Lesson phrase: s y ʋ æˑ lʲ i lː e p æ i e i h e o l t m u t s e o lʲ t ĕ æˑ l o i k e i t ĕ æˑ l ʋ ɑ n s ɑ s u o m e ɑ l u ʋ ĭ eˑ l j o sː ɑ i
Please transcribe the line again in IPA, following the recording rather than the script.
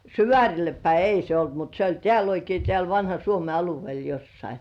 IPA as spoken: s y ʋ æˑ rʲ i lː e p æ i e i s e o l t m u t s e o lʲ t ĕ æˑ l o i k e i t ĕ æˑ l ʋ ɑ n h ɑ s u o m e ɑ l u ʋ ĭ eˑ l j o sː ɑ i